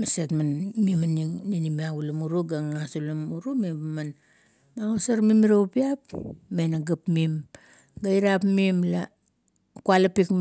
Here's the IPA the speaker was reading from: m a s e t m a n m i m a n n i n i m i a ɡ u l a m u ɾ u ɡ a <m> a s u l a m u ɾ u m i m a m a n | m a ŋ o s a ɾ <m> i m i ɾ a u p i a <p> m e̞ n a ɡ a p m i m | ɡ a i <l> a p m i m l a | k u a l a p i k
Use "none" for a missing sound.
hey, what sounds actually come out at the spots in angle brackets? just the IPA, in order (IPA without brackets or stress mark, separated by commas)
ŋ, m, p, ɾ